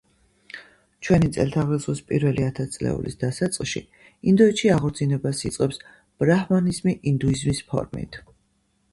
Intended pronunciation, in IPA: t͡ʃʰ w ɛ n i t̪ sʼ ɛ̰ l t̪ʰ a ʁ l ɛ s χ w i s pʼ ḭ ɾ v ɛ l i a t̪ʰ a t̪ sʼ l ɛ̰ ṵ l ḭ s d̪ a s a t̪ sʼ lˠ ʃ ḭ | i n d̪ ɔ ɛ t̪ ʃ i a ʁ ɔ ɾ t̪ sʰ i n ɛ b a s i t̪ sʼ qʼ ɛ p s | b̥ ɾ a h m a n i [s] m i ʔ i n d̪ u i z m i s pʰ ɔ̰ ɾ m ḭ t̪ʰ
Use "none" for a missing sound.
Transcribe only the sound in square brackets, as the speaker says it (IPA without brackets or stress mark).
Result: z